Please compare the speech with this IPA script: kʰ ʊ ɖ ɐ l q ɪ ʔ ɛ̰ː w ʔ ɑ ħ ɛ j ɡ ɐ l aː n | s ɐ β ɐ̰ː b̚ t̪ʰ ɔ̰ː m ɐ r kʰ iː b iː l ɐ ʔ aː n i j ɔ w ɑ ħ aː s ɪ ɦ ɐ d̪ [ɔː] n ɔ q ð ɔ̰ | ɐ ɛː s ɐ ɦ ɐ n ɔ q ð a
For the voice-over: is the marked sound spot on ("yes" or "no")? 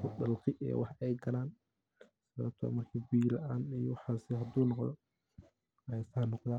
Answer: no